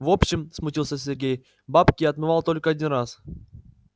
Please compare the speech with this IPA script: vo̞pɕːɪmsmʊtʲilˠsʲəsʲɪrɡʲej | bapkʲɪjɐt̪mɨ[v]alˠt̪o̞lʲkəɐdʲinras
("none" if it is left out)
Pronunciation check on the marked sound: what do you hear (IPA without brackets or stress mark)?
v